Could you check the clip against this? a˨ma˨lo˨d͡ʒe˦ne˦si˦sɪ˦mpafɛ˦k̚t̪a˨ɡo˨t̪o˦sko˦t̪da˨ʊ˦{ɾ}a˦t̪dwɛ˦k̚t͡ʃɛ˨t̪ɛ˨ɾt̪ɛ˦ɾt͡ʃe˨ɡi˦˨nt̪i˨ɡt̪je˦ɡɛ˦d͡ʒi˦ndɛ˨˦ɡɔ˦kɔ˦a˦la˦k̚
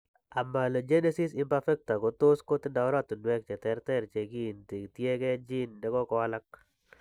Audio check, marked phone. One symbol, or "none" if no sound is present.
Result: ɾ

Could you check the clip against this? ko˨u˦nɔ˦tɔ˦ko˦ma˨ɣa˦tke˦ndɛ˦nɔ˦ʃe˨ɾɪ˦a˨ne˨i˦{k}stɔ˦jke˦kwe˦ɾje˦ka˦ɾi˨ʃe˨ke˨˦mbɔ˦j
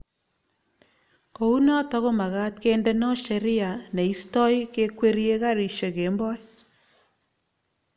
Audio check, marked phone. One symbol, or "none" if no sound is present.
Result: none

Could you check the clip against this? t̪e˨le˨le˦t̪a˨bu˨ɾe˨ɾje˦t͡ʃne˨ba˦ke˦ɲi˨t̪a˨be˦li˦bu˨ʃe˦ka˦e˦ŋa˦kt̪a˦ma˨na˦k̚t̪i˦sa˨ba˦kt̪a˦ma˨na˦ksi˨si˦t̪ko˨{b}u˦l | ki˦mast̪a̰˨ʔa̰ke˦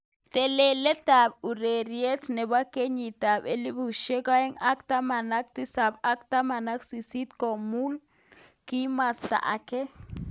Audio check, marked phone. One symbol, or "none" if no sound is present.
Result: m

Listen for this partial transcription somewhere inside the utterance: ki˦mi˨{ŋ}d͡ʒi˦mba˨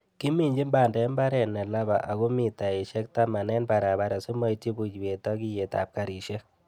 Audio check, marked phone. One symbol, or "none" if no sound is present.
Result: ɲ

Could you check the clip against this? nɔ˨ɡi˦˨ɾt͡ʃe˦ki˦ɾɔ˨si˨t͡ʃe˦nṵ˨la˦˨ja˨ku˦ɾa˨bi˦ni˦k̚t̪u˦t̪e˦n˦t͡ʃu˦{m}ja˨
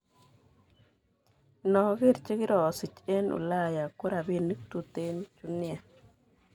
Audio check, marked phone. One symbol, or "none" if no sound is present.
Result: n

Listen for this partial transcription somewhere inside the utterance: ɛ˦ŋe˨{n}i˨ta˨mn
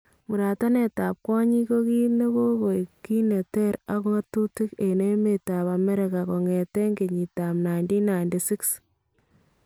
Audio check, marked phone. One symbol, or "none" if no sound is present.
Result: ɲ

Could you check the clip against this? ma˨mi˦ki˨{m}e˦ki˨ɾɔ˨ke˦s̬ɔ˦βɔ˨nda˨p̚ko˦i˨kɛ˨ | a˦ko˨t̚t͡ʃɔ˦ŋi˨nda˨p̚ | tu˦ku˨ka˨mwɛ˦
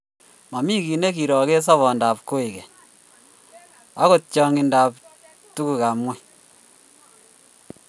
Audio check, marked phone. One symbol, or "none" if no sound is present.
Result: n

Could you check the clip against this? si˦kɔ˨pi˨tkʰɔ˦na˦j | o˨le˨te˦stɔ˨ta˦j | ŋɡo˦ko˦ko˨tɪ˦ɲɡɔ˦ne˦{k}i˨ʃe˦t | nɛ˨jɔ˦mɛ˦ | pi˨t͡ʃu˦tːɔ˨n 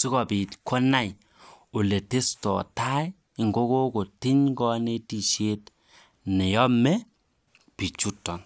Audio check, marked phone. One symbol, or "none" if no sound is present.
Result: t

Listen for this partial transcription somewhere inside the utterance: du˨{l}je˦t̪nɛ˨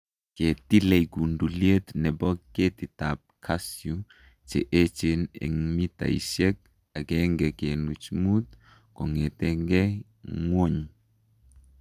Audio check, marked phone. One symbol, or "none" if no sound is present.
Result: l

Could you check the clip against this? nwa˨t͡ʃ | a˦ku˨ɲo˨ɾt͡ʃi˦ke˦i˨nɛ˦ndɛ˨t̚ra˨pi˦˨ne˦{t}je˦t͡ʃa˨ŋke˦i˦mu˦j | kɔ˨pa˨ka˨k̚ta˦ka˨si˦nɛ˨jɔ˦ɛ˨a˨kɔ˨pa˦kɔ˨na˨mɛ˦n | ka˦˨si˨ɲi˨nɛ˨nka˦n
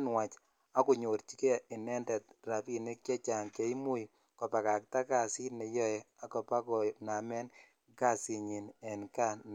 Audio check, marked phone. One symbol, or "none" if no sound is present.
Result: k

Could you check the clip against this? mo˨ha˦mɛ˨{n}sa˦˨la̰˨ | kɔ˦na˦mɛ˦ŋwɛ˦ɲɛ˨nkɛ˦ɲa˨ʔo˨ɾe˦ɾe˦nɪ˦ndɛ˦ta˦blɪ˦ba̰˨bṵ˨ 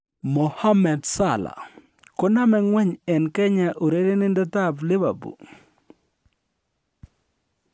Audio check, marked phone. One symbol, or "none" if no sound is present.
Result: d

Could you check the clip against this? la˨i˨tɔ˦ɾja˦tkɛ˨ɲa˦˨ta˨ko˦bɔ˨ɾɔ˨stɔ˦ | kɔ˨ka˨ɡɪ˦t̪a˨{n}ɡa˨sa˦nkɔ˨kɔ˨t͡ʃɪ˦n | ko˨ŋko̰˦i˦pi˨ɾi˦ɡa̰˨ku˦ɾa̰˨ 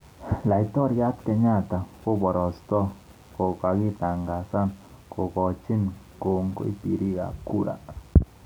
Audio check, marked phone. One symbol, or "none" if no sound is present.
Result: ŋ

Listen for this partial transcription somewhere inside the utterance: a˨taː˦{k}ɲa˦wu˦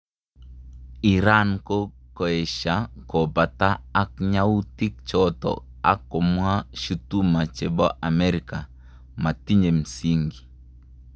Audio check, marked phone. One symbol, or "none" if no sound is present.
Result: k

